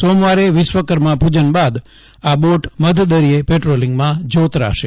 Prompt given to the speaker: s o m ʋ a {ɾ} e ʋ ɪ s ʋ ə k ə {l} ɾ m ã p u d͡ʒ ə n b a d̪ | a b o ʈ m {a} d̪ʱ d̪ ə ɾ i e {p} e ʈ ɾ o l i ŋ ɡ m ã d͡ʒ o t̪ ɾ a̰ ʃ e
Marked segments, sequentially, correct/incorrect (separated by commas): correct, incorrect, incorrect, correct